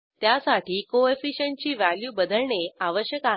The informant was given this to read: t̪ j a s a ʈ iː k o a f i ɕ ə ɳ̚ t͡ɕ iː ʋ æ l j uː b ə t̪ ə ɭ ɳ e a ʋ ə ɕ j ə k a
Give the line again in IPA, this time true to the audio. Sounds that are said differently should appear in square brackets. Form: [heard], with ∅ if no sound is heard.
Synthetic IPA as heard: t̪ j a s a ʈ iː k o [e] f i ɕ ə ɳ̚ t͡ɕ iː ʋ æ l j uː b ə [d̪] ə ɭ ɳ e a ʋ ə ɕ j ə k a